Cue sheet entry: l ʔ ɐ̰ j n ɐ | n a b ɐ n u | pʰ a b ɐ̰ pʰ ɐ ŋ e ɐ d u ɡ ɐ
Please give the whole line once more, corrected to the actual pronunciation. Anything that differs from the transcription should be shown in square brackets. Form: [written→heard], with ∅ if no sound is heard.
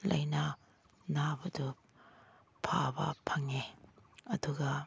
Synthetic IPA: l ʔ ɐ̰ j n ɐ | n a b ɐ [n→d] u | pʰ a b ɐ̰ pʰ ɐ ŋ e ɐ d u ɡ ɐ